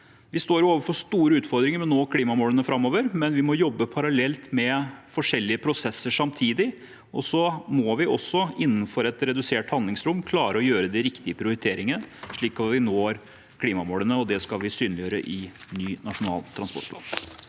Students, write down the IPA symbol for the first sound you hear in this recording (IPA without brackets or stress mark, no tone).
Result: ʋ